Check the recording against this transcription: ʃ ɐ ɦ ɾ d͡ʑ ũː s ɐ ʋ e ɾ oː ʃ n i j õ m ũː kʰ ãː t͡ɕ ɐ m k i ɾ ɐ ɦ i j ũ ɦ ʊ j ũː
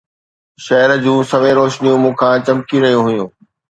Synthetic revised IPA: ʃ ɐ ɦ ɾ d͡ʑ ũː s ɐ ʋ e ɾ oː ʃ n i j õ m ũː kʰ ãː t͡ɕ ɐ m k i ɾ ɐ ɦ i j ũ ɦ ʊ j ũː